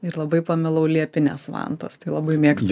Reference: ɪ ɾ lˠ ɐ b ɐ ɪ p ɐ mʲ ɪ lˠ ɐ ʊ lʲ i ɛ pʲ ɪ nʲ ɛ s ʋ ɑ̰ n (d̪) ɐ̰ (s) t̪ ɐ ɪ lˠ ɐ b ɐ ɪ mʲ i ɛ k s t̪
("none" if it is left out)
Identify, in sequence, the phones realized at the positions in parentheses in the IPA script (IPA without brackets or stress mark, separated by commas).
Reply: t̪, s